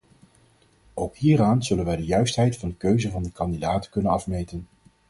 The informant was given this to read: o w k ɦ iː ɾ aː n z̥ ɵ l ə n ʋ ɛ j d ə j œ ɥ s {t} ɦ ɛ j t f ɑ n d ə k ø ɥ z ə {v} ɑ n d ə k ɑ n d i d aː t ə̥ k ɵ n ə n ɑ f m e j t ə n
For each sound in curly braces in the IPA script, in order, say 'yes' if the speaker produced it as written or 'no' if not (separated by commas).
yes, yes